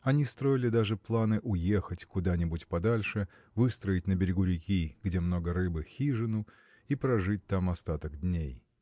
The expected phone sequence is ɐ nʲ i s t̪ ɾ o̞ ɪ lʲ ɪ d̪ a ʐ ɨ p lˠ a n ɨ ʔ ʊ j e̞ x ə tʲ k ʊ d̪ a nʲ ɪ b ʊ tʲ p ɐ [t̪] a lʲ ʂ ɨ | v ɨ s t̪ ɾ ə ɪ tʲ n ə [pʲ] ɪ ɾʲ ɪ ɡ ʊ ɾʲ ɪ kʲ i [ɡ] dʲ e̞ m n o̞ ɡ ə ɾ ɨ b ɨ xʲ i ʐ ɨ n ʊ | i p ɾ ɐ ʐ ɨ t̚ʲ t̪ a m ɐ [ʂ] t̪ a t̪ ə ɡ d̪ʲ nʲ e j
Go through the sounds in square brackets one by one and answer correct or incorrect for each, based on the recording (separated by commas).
incorrect, incorrect, correct, incorrect